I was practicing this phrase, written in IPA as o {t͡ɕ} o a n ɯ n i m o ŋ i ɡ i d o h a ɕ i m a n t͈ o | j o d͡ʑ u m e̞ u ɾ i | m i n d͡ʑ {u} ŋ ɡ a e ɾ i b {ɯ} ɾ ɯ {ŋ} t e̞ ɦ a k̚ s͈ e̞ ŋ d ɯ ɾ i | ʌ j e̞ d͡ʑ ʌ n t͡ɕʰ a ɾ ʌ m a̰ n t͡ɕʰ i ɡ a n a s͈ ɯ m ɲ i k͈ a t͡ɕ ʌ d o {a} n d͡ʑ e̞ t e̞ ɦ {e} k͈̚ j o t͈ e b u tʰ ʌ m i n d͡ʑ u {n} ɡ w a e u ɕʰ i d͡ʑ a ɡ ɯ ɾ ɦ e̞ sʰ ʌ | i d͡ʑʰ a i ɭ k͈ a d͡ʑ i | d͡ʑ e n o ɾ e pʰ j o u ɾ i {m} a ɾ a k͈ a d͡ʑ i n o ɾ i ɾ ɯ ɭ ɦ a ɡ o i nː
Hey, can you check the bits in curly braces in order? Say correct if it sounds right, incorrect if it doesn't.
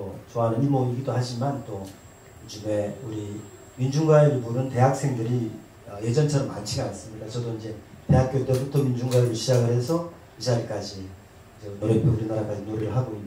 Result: correct, correct, incorrect: u, incorrect: n, incorrect: i, incorrect: a, incorrect: ŋ, incorrect: n

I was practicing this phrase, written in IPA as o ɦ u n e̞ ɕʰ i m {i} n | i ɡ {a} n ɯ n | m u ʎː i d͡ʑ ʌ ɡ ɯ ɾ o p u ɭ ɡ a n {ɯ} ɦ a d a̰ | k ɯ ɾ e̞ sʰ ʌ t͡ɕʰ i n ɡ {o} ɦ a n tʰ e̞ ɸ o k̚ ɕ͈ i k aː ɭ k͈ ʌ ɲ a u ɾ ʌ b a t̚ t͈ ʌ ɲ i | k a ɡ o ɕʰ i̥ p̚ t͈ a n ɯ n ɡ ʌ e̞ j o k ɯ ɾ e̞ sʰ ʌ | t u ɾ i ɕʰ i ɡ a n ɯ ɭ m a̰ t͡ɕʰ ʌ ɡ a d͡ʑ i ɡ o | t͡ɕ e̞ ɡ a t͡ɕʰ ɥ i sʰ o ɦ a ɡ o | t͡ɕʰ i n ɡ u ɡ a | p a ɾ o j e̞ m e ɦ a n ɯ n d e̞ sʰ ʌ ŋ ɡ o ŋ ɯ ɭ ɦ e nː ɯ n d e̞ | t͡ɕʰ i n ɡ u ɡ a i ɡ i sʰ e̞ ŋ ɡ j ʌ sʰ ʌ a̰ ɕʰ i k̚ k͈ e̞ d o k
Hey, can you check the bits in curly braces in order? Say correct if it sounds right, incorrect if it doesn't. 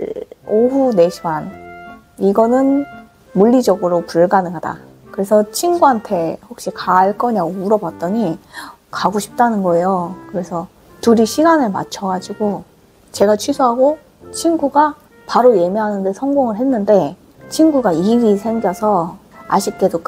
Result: incorrect: a, incorrect: ʌ, correct, incorrect: u

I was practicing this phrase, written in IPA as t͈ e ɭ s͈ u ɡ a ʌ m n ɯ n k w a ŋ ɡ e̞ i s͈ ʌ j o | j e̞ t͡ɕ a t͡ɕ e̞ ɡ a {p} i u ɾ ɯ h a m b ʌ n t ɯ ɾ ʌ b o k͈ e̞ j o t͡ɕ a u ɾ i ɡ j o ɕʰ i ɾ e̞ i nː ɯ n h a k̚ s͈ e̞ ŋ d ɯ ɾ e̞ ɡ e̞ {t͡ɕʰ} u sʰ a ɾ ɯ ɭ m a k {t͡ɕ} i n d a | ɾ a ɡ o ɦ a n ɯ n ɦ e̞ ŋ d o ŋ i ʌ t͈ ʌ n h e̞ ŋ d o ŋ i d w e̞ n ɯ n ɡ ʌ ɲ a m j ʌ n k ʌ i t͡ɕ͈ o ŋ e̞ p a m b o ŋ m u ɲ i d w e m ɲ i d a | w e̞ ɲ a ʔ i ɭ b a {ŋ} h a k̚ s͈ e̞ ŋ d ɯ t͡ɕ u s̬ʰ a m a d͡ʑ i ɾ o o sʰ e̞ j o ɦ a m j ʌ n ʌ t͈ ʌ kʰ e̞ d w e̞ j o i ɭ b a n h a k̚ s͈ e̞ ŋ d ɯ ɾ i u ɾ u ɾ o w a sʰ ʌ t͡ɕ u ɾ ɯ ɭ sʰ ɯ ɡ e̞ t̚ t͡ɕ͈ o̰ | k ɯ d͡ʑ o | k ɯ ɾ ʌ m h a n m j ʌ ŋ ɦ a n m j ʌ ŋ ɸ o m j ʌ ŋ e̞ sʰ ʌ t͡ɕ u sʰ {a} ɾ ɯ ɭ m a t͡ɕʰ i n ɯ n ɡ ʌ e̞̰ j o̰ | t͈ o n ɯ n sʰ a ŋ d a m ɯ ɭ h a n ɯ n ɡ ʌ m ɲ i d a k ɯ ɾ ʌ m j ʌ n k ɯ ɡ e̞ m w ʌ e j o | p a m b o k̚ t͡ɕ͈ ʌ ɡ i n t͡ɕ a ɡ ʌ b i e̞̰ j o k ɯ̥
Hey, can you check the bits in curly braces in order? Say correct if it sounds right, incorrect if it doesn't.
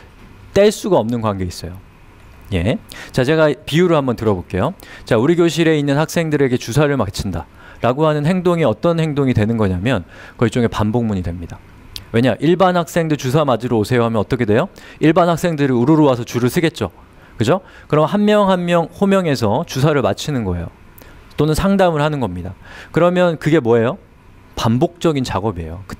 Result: correct, incorrect: t͡ɕ, incorrect: t͡ɕʰ, incorrect: n, correct

